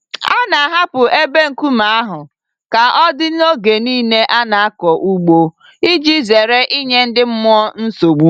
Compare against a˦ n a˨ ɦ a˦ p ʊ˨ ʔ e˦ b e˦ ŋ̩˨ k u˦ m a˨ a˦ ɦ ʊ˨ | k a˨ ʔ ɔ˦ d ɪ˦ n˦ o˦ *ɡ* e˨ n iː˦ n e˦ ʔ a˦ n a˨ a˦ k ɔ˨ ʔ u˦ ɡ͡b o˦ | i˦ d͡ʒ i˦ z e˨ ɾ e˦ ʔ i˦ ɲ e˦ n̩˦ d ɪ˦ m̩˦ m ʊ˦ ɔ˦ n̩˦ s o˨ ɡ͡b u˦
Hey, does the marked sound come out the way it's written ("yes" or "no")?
yes